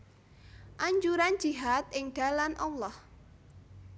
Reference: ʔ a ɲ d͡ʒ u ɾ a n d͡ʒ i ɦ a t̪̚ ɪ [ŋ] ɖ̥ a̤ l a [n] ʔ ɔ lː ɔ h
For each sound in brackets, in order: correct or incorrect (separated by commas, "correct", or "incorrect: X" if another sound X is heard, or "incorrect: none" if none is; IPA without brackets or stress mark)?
correct, correct